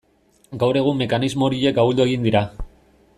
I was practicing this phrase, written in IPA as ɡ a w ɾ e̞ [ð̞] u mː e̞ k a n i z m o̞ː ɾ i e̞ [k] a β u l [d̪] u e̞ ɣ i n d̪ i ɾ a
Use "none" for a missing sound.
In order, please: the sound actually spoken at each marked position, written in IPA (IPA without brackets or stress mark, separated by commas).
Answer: ɣ̞, k, d̪